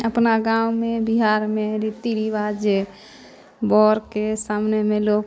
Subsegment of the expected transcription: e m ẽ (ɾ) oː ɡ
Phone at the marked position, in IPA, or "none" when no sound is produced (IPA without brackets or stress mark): l